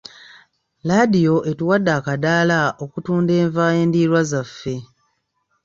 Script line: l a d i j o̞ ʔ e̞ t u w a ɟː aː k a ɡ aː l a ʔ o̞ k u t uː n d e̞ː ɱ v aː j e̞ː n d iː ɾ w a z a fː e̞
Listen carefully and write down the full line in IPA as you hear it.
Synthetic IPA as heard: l a d i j o̞ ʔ e̞ t u w a dː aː k a d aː l a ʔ o̞ k u t uː n d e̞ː ɱ v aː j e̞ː n d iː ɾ w a z a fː e̞